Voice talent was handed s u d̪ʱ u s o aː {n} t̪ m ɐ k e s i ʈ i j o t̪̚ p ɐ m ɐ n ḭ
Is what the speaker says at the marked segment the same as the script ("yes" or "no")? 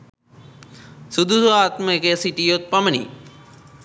no